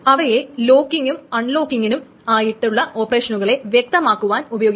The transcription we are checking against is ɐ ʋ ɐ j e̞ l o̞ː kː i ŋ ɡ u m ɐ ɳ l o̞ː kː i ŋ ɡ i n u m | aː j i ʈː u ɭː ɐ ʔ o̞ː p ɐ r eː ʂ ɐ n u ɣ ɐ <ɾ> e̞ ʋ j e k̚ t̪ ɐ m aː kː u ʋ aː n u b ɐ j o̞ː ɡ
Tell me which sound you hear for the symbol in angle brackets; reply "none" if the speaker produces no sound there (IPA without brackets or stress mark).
ɭ